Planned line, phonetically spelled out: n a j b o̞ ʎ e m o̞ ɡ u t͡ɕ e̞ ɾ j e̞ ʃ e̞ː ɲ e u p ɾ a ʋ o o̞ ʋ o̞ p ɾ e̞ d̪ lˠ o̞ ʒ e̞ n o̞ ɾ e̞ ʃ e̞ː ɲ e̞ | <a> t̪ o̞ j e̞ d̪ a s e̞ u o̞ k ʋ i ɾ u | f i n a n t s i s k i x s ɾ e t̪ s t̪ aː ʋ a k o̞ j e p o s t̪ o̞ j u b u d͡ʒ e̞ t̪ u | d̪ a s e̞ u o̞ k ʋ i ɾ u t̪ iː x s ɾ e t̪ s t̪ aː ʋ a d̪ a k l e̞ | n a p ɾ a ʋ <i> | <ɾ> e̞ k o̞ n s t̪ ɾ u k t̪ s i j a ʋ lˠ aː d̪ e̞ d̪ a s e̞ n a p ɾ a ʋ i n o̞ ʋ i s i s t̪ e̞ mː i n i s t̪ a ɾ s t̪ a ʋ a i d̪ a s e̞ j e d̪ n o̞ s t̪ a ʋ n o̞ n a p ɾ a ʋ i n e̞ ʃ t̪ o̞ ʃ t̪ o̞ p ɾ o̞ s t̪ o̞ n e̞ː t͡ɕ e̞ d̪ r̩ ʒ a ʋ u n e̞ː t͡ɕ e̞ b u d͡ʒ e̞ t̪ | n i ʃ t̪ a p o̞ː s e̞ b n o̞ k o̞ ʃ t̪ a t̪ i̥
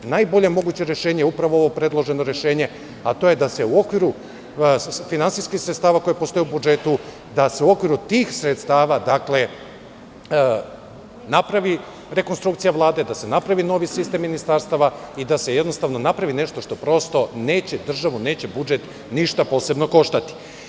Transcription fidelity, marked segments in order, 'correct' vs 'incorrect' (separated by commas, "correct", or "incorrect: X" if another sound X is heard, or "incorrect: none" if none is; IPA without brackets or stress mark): correct, correct, correct